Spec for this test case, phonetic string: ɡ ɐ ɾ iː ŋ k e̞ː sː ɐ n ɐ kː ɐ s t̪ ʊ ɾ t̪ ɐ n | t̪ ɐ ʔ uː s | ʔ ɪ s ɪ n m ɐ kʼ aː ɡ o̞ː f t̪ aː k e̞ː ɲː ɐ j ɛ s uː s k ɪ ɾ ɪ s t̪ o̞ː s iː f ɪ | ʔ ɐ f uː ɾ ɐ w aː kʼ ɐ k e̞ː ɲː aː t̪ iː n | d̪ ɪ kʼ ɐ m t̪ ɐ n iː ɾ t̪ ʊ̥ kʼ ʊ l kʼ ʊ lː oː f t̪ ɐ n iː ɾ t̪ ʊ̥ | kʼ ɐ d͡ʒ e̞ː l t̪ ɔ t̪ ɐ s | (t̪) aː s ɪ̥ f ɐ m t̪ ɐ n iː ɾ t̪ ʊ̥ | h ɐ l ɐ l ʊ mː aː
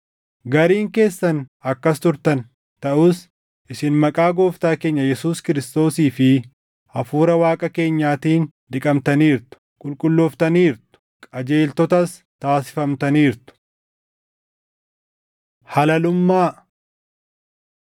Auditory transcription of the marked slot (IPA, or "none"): t̪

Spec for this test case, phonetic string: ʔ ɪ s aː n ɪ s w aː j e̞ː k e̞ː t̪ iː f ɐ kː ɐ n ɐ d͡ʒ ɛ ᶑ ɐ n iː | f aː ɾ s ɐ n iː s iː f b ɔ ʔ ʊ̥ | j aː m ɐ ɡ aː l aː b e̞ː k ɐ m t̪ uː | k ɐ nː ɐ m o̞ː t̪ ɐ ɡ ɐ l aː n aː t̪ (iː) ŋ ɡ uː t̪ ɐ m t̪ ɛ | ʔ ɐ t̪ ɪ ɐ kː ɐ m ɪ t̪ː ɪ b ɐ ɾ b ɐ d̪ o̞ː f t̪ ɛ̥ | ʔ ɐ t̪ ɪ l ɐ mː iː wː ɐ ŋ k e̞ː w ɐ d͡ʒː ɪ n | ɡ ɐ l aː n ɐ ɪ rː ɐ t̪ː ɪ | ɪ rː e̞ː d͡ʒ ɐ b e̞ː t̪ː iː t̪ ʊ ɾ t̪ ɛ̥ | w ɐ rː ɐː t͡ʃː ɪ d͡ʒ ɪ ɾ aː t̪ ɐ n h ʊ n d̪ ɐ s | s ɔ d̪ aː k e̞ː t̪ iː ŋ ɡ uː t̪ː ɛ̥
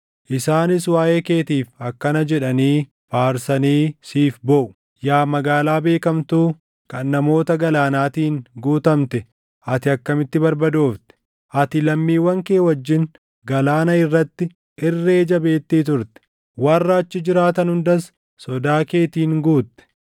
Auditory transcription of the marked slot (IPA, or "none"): iː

